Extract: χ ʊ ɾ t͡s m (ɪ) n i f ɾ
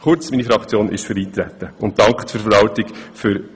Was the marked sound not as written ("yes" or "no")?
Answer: yes